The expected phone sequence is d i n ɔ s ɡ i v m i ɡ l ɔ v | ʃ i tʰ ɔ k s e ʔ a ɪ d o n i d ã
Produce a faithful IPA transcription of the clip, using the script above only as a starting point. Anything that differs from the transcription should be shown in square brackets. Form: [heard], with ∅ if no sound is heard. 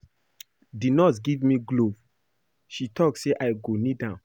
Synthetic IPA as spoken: d i n ɔ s ɡ i v m i ɡ l [o] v | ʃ i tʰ ɔ k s e ʔ a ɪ [ɡ] o n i d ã